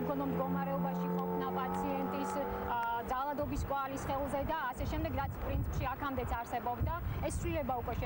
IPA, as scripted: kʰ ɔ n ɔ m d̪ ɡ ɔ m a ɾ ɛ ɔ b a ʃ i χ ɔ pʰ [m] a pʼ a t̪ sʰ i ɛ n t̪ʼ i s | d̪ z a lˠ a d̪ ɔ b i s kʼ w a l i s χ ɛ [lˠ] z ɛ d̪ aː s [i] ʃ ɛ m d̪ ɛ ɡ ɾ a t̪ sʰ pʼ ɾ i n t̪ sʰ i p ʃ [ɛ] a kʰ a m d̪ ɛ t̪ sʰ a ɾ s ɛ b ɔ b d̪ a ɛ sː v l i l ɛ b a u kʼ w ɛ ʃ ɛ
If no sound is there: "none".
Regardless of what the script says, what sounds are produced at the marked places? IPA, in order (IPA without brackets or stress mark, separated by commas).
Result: n, lˠ, ɛ, i